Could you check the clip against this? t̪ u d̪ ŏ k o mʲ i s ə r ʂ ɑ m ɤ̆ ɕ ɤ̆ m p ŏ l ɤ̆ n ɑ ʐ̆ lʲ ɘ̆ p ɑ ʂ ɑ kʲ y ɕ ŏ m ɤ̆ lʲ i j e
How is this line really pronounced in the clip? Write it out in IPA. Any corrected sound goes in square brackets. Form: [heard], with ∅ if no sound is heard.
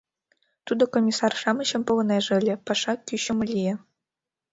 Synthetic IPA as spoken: t̪ u d̪ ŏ k o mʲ i s [ɑ] r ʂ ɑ m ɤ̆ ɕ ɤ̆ m p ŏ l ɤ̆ n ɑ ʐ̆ lʲ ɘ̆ p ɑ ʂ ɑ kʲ y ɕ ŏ m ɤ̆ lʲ i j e